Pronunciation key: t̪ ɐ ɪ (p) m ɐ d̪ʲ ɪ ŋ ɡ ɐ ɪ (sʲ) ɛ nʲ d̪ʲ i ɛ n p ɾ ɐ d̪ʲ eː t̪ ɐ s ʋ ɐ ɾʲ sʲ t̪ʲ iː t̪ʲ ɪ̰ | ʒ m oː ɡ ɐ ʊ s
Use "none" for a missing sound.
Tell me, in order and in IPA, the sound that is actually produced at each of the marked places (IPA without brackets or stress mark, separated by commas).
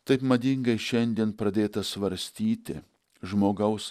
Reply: p, ʃʲ